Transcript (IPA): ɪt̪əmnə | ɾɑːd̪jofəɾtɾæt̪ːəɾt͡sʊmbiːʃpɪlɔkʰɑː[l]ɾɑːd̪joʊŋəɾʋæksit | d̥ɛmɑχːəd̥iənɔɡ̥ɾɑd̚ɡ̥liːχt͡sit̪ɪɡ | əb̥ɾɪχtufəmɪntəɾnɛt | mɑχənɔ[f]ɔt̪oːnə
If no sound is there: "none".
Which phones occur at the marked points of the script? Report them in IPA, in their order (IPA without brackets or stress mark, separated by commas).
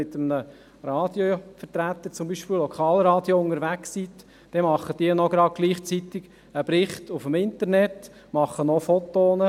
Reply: l, f